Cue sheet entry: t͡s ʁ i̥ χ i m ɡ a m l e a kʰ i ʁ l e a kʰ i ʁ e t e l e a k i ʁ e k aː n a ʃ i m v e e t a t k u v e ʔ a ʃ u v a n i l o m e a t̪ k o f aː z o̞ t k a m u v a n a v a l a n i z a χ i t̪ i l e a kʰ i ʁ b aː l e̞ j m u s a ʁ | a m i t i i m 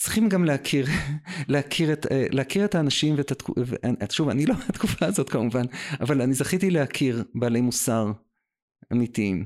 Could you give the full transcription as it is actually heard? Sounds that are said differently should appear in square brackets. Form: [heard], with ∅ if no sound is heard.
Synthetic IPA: t͡s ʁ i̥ χ i m ɡ a m l e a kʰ i ʁ l e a kʰ i ʁ e t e l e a k i ʁ e [t] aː n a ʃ i m v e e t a t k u v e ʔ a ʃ u v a n i l o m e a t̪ k [u] f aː z o̞ t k a m u v a n a v a l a n i z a χ i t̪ i l e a kʰ i ʁ b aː l e̞ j m u s a ʁ | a m i t i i m